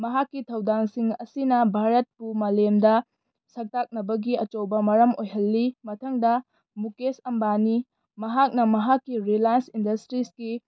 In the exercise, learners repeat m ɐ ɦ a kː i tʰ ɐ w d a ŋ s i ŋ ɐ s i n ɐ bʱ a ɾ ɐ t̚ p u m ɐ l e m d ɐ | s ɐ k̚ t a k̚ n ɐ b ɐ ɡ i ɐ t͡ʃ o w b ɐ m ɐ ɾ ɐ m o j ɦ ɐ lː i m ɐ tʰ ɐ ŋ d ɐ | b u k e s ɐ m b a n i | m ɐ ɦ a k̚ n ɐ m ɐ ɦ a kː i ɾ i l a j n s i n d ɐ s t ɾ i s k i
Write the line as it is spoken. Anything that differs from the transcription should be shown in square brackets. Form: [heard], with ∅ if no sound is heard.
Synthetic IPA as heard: m ɐ ɦ a kː i tʰ ɐ w d a ŋ s i ŋ ɐ s i n ɐ bʱ a ɾ ɐ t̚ p u m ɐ l e m d ɐ | s ɐ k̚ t a k̚ n ɐ b ɐ ɡ i ɐ t͡ʃ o w b ɐ m ɐ ɾ ɐ m o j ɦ ɐ lː i m ɐ tʰ ɐ ŋ d ɐ | [m] u k e s ɐ m b a n i | m ɐ ɦ a k̚ n ɐ m ɐ ɦ a kː i ɾ i l a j n s i n d ɐ s t ɾ i s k i